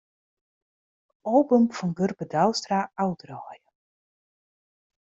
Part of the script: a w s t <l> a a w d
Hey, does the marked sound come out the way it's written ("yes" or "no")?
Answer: no